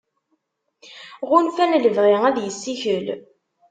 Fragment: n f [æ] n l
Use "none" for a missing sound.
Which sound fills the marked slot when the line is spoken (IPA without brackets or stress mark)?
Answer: æ